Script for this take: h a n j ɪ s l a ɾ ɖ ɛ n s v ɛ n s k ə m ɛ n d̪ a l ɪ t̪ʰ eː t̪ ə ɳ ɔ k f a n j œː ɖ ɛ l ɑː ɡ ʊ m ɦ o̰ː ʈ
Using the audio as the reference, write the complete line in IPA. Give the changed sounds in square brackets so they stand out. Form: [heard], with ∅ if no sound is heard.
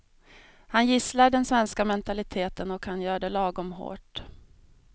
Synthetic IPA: h a n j ɪ s l a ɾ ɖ ɛ n s v ɛ n s k [a] m ɛ n [t̪] a l ɪ t̪ʰ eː t̪ ə [n] ɔ k [h] a n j œː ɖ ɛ l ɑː ɡ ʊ m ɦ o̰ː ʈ